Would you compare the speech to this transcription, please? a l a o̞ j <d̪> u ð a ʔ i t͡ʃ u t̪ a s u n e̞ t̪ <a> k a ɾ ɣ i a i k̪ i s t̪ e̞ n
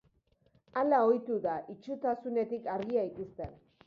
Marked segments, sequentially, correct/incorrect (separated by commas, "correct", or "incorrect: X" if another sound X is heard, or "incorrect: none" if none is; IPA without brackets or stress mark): incorrect: t̪, incorrect: i